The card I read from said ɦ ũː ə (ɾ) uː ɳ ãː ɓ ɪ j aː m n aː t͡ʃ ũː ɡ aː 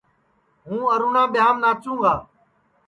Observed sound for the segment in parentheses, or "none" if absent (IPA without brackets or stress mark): ɾ